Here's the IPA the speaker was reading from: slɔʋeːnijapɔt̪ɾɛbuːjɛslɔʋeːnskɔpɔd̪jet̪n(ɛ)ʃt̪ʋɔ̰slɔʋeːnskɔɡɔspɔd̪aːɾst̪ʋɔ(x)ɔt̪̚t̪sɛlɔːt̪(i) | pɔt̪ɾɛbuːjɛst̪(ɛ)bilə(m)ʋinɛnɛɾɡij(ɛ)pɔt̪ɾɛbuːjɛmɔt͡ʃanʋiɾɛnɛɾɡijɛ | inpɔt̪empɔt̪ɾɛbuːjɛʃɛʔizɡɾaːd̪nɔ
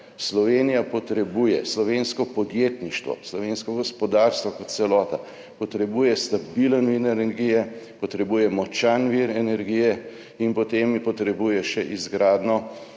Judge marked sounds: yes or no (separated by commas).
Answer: no, no, no, no, no, yes